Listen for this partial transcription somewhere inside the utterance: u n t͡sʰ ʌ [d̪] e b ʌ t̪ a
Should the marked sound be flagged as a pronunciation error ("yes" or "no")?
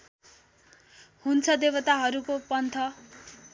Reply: no